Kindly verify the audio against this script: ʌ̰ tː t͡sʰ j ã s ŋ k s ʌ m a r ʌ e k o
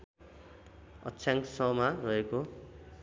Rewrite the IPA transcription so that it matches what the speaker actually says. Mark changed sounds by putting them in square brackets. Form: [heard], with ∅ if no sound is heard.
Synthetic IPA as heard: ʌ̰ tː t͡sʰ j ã [∅] ŋ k s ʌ m a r ʌ e k o